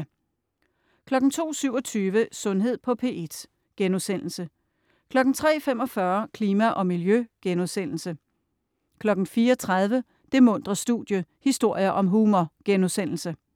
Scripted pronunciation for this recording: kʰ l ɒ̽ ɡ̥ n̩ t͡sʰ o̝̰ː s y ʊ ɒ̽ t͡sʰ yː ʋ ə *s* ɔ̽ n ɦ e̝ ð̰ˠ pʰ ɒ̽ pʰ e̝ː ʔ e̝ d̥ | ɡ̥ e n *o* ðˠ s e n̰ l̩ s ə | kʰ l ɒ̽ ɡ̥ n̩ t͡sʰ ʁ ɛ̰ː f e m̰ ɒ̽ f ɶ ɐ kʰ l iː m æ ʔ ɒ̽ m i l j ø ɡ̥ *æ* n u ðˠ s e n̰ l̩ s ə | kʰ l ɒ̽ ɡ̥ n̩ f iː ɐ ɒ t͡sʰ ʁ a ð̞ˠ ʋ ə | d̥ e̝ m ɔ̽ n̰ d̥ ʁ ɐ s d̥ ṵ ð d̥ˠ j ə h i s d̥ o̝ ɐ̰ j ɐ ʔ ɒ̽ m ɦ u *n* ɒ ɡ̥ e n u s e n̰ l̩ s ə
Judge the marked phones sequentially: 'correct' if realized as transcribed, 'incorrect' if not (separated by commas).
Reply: correct, incorrect, incorrect, incorrect